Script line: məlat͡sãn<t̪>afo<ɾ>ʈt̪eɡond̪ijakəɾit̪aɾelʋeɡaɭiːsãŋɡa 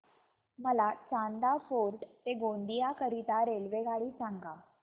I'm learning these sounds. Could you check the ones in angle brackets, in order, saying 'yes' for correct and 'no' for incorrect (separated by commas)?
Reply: no, yes